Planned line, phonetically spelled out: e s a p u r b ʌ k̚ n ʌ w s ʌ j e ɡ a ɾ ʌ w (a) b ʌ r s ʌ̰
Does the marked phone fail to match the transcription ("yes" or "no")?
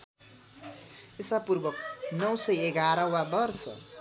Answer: no